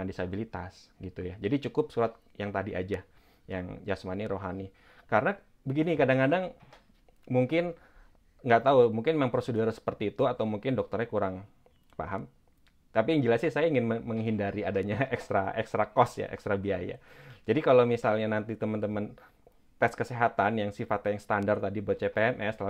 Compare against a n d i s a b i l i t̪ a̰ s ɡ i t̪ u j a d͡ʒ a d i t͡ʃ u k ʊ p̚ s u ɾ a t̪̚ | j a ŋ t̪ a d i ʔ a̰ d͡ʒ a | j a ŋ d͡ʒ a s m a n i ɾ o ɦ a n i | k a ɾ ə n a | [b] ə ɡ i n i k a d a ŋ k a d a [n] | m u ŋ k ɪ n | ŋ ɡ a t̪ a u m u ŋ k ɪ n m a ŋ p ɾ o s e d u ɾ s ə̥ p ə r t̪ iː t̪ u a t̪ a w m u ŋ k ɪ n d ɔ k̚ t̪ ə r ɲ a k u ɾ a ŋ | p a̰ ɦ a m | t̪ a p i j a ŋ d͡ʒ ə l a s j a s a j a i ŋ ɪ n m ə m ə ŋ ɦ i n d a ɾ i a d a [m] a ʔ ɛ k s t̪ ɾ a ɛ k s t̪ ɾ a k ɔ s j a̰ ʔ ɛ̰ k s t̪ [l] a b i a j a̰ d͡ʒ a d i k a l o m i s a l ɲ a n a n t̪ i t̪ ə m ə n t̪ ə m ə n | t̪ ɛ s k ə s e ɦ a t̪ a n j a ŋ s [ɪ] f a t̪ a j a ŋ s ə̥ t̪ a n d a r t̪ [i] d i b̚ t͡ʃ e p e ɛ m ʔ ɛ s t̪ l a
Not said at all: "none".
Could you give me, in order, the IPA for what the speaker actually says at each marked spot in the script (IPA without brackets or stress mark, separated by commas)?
b, ŋ, ɲ, ɾ, i, a